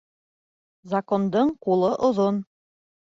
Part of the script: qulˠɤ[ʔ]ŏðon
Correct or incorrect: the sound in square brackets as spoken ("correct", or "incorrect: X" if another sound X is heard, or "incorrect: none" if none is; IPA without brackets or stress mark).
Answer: correct